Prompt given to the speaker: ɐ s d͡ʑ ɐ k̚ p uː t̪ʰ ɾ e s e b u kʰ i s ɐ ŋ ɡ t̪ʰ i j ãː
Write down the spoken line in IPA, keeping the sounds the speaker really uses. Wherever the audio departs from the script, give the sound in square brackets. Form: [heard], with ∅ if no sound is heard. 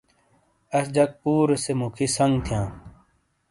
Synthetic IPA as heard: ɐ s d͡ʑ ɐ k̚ p uː [∅] ɾ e s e [m] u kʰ i s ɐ ŋ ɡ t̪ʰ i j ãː